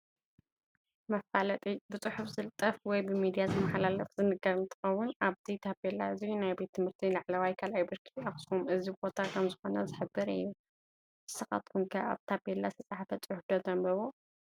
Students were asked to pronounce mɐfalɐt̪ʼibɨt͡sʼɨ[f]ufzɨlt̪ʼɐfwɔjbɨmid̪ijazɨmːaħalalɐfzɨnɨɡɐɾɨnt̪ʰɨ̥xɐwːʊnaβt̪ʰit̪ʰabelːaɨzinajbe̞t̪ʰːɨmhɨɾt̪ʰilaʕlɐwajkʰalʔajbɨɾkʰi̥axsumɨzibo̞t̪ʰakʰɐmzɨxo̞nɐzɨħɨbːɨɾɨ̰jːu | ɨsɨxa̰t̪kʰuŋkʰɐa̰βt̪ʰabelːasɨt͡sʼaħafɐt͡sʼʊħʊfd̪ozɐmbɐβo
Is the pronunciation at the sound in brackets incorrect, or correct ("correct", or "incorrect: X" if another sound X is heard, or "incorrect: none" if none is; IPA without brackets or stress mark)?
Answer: incorrect: ħ